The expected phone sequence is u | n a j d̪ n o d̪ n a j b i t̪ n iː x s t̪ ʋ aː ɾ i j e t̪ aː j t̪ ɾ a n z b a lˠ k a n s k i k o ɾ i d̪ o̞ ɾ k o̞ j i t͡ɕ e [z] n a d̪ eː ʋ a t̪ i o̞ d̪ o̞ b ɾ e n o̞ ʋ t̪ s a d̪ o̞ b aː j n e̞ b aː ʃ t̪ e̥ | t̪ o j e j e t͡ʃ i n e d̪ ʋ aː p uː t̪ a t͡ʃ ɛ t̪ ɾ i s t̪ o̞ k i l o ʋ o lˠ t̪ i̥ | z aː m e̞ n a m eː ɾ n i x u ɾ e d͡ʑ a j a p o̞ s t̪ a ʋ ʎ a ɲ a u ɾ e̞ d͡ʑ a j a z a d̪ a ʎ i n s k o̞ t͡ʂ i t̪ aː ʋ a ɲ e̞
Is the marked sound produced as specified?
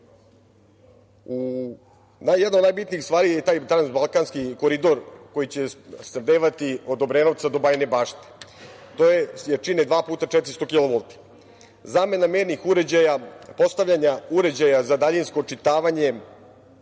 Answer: no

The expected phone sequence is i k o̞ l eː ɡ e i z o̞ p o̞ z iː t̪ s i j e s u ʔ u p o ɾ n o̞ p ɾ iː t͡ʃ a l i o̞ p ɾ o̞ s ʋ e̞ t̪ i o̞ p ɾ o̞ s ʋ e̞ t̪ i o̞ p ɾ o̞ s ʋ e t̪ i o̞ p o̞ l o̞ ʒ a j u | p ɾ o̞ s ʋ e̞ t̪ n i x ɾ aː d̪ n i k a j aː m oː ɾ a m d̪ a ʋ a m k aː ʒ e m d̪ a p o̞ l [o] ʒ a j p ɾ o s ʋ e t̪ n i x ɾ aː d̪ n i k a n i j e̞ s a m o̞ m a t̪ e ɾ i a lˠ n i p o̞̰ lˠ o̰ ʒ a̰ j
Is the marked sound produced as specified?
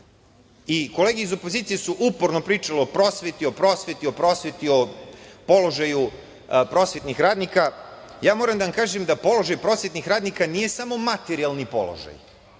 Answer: yes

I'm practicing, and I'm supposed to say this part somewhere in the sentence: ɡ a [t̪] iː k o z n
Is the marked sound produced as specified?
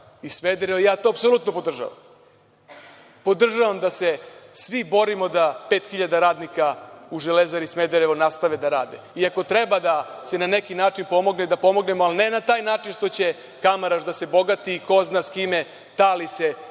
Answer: yes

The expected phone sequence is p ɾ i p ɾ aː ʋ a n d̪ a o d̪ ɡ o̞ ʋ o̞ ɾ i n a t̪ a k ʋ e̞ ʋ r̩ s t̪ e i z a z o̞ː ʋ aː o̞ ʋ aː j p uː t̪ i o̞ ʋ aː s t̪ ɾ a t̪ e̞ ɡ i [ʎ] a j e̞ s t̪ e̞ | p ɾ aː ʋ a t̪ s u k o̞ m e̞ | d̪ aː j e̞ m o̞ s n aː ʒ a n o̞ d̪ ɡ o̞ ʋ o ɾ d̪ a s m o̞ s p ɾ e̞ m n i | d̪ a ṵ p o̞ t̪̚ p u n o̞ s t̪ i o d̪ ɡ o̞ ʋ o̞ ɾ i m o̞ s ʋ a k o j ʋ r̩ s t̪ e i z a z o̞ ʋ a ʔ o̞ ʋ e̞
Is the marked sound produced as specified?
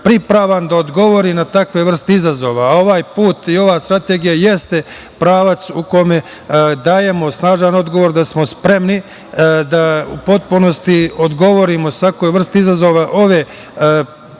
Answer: no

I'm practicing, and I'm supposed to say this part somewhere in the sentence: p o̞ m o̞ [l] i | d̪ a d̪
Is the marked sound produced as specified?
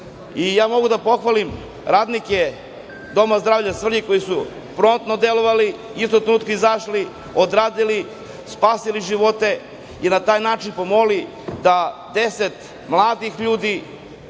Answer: yes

